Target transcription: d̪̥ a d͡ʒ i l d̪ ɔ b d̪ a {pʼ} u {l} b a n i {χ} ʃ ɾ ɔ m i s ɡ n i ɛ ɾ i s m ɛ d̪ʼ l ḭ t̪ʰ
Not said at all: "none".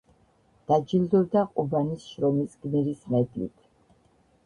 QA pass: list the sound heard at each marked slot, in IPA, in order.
qʼ, none, s

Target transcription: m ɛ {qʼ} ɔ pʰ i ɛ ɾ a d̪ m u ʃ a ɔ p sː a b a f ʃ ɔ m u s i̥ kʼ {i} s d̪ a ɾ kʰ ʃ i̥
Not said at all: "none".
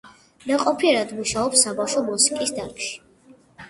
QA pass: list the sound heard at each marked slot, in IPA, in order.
qʼ, i

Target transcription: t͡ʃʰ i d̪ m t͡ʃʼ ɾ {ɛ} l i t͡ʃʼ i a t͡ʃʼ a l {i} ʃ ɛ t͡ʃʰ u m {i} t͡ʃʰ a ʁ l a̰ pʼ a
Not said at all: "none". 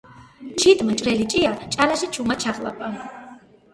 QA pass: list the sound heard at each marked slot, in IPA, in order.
ɛ, a, a

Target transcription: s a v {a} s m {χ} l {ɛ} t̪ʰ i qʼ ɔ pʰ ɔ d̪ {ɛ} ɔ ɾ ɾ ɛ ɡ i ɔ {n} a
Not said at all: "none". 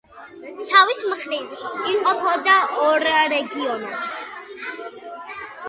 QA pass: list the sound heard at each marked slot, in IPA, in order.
i, χ, i, a, n

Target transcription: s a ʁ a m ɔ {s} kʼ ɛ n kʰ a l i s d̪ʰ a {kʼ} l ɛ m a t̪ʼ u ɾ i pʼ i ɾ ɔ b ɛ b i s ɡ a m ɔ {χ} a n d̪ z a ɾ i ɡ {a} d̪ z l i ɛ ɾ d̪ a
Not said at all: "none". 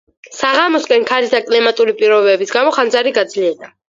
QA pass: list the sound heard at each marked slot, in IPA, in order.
s, kʼ, χ, a

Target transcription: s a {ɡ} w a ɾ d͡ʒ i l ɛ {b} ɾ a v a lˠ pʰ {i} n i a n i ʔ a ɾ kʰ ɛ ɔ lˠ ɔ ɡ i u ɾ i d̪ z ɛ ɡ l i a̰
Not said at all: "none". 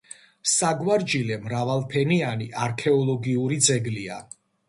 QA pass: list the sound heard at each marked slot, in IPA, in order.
ɡ, m, ɛ

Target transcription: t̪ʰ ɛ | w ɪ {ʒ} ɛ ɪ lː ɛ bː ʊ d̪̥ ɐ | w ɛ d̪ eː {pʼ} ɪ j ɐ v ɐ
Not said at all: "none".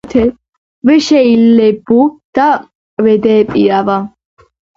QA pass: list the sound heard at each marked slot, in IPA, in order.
ʃ, pʼ

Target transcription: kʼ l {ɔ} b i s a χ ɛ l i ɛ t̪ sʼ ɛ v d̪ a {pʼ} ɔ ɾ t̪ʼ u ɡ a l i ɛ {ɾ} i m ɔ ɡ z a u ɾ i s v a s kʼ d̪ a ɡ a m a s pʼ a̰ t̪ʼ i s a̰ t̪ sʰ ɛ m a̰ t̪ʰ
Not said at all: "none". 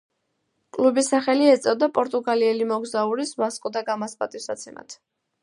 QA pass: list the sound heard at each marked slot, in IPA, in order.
u, pʼ, l

